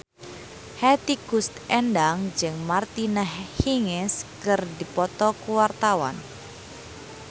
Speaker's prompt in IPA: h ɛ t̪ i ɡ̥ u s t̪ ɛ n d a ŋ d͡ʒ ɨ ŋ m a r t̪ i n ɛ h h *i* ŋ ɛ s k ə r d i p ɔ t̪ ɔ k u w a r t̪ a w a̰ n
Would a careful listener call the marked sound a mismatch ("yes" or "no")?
no